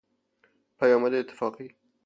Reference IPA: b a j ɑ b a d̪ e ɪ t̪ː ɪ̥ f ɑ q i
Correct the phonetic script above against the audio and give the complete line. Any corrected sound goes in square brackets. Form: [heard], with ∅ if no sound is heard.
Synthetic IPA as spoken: [p] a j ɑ [m] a d̪ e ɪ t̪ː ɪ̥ f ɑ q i